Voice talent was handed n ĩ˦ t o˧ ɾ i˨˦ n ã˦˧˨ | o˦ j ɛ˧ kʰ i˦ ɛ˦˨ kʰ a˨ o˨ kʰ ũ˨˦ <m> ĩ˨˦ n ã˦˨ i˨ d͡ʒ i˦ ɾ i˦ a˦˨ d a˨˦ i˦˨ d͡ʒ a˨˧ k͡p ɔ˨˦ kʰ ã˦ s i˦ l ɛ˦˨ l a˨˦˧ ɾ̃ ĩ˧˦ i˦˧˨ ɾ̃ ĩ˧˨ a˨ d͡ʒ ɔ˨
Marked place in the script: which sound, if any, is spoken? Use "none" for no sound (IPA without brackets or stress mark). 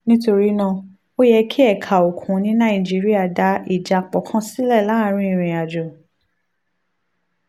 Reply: n